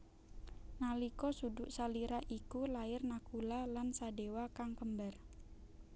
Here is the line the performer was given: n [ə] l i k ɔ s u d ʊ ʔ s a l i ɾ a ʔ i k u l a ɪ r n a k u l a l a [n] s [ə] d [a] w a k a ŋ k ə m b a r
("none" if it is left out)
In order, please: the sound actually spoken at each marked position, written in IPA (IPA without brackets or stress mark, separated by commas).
a, n, a, e